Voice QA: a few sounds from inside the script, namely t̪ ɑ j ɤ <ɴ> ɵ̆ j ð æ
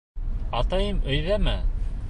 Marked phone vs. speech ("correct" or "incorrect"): incorrect